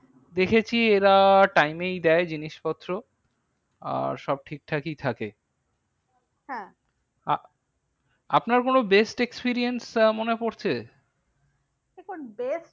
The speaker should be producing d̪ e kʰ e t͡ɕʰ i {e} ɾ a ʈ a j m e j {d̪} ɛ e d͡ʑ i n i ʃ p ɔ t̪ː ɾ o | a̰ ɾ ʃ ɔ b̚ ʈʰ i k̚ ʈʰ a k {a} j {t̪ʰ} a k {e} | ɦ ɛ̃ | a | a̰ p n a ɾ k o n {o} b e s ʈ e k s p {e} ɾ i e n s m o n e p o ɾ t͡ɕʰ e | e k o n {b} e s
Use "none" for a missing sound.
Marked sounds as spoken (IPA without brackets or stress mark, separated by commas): e, d̪, i, t̪ʰ, e, o, i, b